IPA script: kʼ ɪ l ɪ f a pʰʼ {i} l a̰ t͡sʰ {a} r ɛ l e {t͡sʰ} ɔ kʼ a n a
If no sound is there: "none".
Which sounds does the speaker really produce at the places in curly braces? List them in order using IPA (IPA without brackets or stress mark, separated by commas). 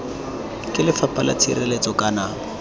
a, i, t͡s